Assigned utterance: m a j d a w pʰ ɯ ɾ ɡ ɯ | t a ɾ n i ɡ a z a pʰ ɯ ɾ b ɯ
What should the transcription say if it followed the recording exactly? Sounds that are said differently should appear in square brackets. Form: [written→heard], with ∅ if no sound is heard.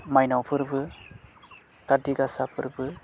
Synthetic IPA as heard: m a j [d→n] a w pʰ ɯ ɾ [ɡ→b] ɯ | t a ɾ [n→d] i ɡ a [z→s] a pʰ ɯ ɾ b ɯ